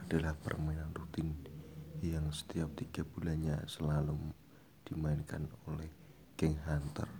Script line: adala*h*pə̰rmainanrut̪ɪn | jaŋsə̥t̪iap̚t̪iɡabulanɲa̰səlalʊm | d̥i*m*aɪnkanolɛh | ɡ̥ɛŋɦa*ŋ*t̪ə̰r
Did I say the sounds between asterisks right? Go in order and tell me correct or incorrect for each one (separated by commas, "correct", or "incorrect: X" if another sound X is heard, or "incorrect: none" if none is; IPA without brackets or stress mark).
correct, correct, incorrect: n